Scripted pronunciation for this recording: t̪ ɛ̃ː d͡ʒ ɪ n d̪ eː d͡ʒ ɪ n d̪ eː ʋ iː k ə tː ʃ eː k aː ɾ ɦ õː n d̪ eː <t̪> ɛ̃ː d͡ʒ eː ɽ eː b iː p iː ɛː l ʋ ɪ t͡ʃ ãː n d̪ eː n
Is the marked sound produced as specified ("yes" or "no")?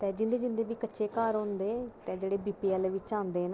yes